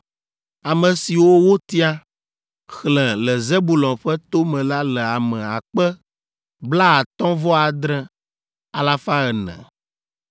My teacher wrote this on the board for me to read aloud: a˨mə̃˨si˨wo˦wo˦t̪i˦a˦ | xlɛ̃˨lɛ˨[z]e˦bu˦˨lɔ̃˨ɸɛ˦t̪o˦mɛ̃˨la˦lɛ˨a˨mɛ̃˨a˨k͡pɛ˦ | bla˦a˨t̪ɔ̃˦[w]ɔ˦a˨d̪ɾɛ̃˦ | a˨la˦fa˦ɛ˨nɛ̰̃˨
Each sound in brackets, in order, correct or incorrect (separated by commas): correct, incorrect